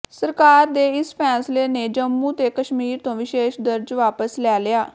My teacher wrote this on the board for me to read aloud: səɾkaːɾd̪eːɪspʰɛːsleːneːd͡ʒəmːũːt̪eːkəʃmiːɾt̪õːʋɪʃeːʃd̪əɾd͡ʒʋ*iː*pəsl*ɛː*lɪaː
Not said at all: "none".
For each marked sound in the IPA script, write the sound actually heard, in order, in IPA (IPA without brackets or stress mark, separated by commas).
aː, ɛː